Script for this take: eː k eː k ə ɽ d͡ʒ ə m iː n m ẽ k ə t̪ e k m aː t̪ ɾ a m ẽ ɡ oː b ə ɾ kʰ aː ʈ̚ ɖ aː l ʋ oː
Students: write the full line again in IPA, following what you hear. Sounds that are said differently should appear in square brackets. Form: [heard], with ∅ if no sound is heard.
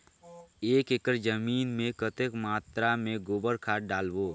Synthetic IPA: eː k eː k ə [ɾ] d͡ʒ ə m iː n m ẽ k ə t̪ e k m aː t̪ ɾ a m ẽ ɡ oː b ə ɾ kʰ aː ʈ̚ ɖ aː l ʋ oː